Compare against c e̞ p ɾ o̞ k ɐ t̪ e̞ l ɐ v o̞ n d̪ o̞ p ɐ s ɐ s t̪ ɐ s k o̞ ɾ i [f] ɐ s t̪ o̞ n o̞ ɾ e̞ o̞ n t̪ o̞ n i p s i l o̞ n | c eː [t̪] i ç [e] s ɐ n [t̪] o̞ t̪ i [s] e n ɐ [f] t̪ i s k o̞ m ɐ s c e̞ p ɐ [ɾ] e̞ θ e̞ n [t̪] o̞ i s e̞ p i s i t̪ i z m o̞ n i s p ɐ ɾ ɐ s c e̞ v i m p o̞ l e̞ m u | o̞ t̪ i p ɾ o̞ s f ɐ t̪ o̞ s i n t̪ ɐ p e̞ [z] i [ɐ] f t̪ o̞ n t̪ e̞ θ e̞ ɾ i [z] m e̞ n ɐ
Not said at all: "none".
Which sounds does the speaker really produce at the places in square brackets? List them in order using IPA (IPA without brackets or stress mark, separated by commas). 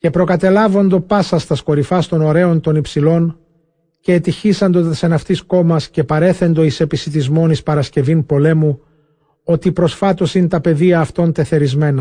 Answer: f, t̪, i, d̪, s, f, ɾ, d̪, ð, ɐː, z